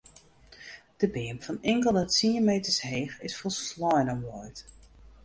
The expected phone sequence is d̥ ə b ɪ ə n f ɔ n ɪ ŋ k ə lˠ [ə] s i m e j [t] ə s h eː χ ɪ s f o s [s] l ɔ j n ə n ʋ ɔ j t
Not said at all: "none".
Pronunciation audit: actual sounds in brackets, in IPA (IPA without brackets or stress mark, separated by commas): ə, t, s